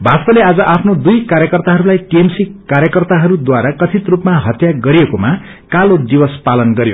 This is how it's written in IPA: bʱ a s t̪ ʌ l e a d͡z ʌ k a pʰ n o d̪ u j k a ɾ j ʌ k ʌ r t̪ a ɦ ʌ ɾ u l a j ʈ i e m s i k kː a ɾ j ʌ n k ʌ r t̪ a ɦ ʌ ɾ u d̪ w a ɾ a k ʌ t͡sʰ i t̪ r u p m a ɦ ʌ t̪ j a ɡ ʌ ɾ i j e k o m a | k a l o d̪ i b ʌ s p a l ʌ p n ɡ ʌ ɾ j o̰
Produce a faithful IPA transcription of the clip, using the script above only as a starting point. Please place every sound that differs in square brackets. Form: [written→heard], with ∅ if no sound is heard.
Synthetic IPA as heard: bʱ a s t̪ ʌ l e a d͡z ʌ [k→ʔ] a pʰ n o d̪ u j k a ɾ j ʌ k ʌ r t̪ a ɦ ʌ ɾ u l a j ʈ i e m s i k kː a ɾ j ʌ [n→∅] k ʌ r t̪ a ɦ ʌ ɾ u d̪ w a ɾ a k ʌ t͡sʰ i t̪ r u p m a ɦ ʌ t̪ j a ɡ ʌ ɾ i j e k o m a | k a l o d̪ i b ʌ s p a l ʌ [p→∅] n ɡ ʌ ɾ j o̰